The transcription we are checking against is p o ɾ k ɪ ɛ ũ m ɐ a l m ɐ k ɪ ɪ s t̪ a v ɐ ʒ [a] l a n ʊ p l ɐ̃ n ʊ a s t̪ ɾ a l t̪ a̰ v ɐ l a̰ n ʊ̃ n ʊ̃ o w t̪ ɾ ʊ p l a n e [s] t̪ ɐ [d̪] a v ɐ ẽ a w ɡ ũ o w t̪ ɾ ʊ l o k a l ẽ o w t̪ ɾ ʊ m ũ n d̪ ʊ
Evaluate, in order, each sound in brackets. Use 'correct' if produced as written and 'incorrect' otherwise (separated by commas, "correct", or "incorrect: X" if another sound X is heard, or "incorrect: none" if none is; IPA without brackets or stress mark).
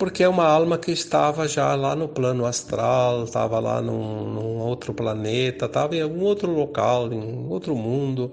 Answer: correct, incorrect: none, incorrect: t̪